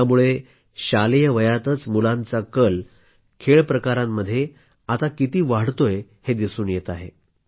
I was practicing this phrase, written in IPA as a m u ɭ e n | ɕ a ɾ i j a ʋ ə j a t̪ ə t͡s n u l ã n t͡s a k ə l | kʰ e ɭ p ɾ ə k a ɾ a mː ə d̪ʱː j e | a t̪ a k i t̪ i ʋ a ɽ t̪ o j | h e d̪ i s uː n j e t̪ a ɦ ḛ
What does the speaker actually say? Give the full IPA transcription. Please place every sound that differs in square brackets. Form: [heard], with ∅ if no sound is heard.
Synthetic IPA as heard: a m u ɭ e [∅] | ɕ a [l] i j [ə] ʋ ə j a t̪ ə t͡s [m] u l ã n t͡s a k ə l | kʰ e ɭ p ɾ ə k a ɾ a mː ə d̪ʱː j e | a t̪ a k i t̪ [iː] ʋ a ɽ t̪ o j | h e d̪ i s uː n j e t̪ a ɦ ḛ